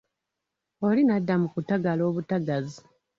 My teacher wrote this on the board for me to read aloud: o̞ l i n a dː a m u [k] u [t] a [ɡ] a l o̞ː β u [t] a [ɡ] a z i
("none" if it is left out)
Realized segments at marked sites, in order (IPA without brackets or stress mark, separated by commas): k, t, ɡ, t, ɡ